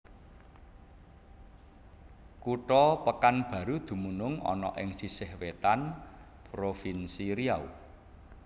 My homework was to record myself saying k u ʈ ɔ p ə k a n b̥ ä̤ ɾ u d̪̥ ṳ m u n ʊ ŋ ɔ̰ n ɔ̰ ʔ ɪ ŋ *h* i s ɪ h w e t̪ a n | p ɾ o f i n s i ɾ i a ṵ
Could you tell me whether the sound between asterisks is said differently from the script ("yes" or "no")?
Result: yes